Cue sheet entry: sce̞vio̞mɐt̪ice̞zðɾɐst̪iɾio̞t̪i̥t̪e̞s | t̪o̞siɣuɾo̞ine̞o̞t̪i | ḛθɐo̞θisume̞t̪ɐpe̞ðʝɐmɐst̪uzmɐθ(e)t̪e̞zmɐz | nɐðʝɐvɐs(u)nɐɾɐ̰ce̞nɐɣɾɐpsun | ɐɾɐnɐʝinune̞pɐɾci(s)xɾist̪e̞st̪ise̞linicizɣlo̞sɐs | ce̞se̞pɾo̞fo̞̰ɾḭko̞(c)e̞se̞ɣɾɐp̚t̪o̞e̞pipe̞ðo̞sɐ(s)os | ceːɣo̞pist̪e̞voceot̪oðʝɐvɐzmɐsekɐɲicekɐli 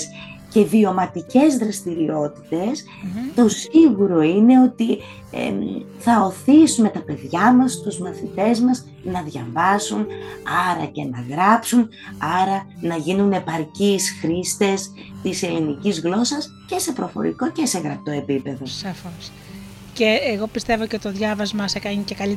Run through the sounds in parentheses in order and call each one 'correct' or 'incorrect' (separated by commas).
incorrect, correct, correct, correct, incorrect